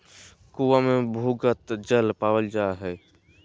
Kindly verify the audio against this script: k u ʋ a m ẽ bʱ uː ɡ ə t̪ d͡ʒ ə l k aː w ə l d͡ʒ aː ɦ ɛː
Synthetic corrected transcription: k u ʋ a m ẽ bʱ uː ɡ ə t̪ d͡ʒ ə l p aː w ə l d͡ʒ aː ɦ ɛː

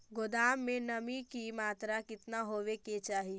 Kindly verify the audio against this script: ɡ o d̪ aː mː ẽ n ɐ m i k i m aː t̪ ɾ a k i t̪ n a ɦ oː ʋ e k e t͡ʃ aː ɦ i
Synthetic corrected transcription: ɡ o d̪ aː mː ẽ n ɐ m i k i m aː t̪ ɾ a k ɪ t̪ n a ɦ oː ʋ e k e t͡ʃ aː ɦ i

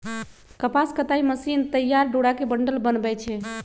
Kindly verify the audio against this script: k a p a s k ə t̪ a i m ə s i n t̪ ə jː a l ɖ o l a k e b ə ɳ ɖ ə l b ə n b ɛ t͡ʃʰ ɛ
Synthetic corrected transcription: k ə p a s k ə t̪ a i m ə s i n t̪ ə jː a ɾ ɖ o ɽ a k e b ə ɳ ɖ ə l b ə n b ɛ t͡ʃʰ ɛ

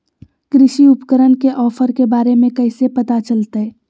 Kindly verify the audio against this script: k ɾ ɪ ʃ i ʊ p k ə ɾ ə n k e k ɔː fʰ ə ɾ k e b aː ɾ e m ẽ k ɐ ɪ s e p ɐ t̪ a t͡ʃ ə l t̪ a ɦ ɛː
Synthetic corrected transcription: k ɾ ɪ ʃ i ʊ p k ə ɾ ə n k e ʔ ɔː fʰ ə ɾ k e b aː ɾ e m ẽ k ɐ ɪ s e p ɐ t̪ a t͡ʃ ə l t̪ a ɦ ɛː

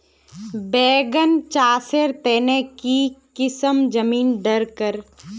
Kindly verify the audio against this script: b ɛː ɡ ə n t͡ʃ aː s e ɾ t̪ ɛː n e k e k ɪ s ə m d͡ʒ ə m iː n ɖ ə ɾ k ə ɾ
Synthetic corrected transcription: b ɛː ɡ ə n t͡ʃ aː s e ɾ t̪ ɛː n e k i k ɪ s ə m d͡ʒ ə m iː n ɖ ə ɾ k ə ɾ

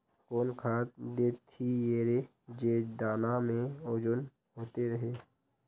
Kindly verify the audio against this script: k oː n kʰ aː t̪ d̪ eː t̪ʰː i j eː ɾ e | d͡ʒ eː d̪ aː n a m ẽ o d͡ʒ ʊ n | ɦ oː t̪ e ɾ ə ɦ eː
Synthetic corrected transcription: k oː n kʰ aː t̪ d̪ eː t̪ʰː i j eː ɾ e | d͡ʒ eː d̪ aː n a m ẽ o d͡ʒ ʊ n | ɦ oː t̪ e ɾ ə ɦ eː

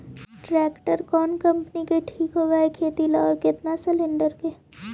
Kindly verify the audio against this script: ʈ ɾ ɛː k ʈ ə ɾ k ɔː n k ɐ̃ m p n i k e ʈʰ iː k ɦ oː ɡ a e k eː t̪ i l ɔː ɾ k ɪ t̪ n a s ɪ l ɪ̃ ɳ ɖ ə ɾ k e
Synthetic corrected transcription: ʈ ɾ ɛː k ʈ ə ɾ k ɔː n k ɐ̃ m p n i k e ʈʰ iː k ɦ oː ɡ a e kʰ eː t̪ i l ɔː ɾ k ɪ t̪ n a s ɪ l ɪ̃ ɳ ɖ ə ɾ k e

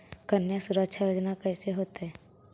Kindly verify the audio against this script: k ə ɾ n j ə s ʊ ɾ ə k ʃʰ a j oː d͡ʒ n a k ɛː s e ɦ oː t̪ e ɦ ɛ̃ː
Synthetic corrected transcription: k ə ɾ n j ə s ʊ ɾ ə k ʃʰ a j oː d͡ʒ n a k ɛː s e ɦ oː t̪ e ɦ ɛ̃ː

